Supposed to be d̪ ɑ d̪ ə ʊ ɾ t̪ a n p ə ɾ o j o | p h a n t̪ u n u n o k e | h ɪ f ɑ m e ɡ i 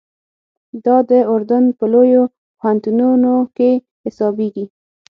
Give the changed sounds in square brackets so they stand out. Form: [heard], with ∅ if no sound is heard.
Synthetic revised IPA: d̪ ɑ d̪ ə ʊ ɾ [d̪] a n p ə [l] o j o | p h a n t̪ u n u n o k e | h ɪ [s] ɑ [b] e ɡ i